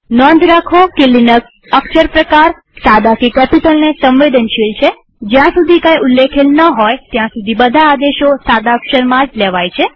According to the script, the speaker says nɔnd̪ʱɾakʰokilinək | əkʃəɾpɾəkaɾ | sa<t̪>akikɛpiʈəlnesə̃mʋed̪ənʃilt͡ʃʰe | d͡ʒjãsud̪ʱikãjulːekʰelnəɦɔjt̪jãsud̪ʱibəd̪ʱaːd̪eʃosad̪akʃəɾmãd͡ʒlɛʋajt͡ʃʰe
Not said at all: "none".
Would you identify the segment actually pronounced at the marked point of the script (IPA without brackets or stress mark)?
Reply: d̪